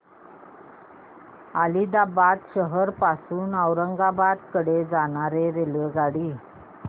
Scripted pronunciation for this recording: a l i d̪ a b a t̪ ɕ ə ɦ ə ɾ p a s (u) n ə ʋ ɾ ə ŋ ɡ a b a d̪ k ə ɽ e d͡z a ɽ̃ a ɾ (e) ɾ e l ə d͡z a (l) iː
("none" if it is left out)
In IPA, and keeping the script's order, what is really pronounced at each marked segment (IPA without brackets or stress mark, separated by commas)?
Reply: uː, e, ɽ